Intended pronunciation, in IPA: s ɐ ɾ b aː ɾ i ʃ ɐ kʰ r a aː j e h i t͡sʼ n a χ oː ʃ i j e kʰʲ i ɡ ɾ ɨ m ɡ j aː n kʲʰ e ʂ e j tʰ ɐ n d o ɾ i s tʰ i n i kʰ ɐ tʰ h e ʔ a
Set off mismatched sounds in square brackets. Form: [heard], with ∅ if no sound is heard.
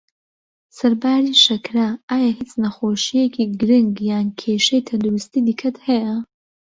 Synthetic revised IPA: s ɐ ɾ b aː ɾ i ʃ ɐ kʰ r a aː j [a] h i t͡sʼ n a χ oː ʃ i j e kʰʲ i ɡ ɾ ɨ [ŋ] ɡ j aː n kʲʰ e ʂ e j tʰ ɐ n d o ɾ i s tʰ i [d] i kʰ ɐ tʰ h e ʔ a